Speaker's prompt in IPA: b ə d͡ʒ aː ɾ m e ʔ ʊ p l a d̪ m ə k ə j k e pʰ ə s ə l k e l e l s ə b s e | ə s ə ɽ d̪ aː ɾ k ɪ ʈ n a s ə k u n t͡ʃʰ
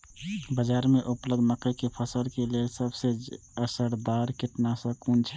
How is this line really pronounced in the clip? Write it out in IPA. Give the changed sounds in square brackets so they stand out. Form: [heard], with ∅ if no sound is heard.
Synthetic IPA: b ə d͡ʒ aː ɾ m e ʔ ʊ p l [ə] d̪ m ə k ə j k e pʰ ə s ə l k e l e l s ə b s e | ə s ə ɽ d̪ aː ɾ k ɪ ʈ n a s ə k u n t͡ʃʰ

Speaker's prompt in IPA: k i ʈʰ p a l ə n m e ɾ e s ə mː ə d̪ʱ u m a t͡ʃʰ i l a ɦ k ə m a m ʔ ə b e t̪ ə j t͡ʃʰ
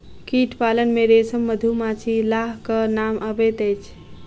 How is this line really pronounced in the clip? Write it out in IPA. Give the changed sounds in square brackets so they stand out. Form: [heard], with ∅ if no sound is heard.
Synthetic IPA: k i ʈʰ p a l ə n m e ɾ e s ə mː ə d̪ʱ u m a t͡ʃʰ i l a ɦ k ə [n] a m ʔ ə b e t̪ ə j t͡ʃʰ

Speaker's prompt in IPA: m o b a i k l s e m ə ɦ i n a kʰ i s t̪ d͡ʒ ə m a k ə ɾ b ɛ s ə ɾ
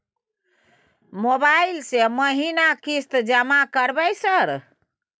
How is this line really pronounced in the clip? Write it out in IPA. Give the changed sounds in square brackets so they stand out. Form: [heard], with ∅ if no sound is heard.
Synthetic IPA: m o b a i [∅] l s e m ə ɦ i n a [k] i s t̪ d͡ʒ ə m a k ə ɾ b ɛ s ə ɾ

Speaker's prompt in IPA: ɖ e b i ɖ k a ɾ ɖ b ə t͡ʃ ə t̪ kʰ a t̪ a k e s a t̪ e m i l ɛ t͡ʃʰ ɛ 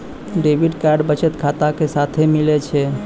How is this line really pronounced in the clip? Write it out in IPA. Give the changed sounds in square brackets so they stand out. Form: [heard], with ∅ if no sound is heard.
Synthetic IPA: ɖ e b i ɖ k a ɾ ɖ b ə t͡ʃ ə t̪ kʰ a t̪ a k e s a [t̪ʰ] e m i l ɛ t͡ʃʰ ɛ

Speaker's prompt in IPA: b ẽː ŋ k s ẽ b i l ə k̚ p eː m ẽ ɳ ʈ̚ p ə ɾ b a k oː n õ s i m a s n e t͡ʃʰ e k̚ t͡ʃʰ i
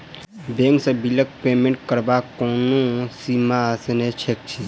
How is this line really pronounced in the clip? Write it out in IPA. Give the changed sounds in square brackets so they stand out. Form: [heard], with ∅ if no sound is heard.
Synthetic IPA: b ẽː ŋ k s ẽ b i l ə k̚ p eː m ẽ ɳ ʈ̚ [k] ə ɾ b a k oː n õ s i m a s n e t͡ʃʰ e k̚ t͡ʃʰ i

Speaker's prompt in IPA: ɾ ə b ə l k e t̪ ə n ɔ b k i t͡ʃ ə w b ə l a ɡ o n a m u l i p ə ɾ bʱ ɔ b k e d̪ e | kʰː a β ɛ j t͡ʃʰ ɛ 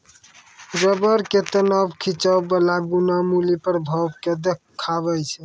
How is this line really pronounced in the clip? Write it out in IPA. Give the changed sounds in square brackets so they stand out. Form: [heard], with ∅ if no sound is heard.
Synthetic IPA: ɾ ə b ə [ɾ] k e t̪ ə n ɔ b [kʰ] i t͡ʃ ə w b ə l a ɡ [u] n a m u l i p ə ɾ bʱ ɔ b k e d̪ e | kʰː a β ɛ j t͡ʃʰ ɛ

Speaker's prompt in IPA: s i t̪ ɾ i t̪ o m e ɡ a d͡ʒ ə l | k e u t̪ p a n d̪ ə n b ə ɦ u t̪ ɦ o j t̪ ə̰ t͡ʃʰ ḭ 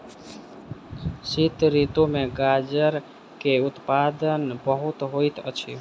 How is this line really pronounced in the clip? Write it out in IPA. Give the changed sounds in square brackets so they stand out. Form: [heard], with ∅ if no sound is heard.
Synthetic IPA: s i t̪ ɾ i t̪ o m e ɡ a d͡ʒ ə [ɾ] | k e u t̪ p a [∅] d̪ ə n b ə ɦ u t̪ ɦ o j t̪ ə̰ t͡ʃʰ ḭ

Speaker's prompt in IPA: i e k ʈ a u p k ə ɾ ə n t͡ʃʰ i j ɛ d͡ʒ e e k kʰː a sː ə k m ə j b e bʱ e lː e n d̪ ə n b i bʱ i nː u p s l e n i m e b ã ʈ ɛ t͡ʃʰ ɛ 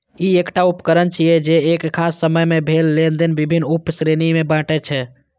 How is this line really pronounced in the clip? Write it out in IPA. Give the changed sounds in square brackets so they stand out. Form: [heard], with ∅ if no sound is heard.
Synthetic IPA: i e k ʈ a u p k ə ɾ ə n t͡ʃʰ i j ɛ d͡ʒ e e k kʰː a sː ə [∅] m ə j [m] e bʱ e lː e n d̪ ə n b i bʱ i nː u p s [ɾ] e n i m e b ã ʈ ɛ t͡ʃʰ ɛ

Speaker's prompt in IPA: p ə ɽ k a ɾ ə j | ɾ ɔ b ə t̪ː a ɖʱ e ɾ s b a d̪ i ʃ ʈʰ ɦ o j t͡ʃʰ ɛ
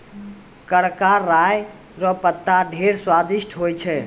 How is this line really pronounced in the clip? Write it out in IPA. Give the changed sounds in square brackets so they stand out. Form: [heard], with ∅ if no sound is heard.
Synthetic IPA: [k] ə ɽ k a ɾ [a] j | ɾ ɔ [p] ə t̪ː a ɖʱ e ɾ s [w] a d̪ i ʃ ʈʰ ɦ o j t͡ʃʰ ɛ

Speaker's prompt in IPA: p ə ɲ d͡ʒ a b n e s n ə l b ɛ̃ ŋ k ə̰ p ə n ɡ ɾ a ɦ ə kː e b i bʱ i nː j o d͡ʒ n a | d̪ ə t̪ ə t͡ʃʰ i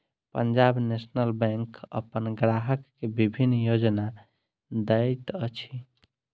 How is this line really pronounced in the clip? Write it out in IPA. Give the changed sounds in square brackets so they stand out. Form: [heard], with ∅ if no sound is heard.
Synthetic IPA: p ə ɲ d͡ʒ a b n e s n ə l b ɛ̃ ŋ k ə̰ p ə n ɡ ɾ a ɦ ə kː e b i bʱ i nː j o d͡ʒ n a | d̪ ə t̪ ə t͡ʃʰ i

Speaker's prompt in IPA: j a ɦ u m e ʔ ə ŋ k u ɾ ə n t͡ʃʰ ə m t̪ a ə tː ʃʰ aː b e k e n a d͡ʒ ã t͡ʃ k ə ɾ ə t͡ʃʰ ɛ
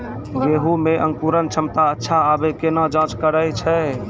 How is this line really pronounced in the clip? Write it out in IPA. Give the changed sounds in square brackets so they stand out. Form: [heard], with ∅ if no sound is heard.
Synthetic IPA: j [e] ɦ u m e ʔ ə ŋ k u ɾ ə n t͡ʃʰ ə m t̪ a ə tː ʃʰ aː b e k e n a d͡ʒ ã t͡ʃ k ə ɾ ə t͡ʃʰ ɛ

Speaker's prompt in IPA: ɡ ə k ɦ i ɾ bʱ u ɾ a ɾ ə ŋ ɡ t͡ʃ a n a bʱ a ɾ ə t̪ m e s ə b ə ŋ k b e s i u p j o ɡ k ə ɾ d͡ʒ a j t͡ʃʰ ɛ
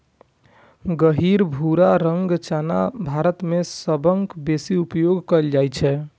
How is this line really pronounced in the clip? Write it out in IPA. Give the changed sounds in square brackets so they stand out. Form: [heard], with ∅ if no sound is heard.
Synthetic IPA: ɡ ə [∅] ɦ i ɾ bʱ u ɾ a ɾ ə ŋ ɡ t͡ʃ a n a bʱ a ɾ ə t̪ m e s ə b ə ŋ k b e s i u p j o ɡ k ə [l] d͡ʒ a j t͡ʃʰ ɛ

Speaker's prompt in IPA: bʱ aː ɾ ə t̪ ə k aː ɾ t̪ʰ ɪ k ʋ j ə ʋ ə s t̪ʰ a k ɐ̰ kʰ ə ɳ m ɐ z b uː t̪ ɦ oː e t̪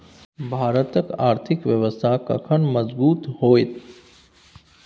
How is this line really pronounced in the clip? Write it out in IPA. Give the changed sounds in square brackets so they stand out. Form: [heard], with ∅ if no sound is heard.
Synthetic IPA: bʱ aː ɾ ə t̪ ə k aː ɾ t̪ʰ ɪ k ʋ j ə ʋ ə s t̪ʰ a k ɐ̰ kʰ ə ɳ m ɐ z b uː t̪ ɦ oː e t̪

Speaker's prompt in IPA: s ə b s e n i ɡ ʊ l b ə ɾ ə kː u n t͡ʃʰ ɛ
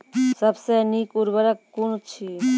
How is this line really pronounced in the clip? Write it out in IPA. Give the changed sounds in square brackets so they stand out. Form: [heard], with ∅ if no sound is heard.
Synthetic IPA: s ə b s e n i [k] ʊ [ɾ] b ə ɾ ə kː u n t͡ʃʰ [i]

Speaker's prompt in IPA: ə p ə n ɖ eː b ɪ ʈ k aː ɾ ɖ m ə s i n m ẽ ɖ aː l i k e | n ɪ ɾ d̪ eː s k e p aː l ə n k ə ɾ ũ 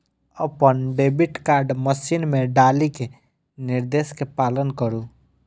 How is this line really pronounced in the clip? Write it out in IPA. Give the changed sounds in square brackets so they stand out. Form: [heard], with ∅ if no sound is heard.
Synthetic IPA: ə p ə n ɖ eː b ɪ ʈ k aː ɾ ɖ m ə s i n m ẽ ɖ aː l i k e | n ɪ ɾ d̪ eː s k e p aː l ə n k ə ɾ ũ

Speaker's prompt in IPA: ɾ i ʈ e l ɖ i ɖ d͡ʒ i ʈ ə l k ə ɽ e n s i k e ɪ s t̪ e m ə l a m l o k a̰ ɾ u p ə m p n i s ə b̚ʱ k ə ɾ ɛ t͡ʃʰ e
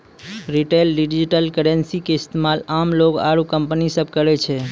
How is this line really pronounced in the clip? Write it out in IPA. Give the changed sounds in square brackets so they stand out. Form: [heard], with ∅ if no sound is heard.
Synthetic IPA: ɾ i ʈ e l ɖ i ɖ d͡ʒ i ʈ ə l k ə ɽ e n s i k e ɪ s t̪ e m [a] l a m l o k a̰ ɾ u [k] ə m p n i s ə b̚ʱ k ə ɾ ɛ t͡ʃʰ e

